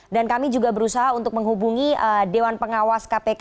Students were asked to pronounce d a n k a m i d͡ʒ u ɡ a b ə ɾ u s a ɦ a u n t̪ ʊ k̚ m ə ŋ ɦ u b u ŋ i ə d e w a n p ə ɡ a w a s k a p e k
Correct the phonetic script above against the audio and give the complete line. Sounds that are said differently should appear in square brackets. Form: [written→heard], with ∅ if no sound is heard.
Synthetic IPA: d a n k a m i d͡ʒ u ɡ a b ə ɾ u s a ɦ a u n t̪ ʊ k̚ m ə ŋ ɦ u b u ŋ i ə d e w a n p ə [ɡ→ŋ] a w a s k a p e k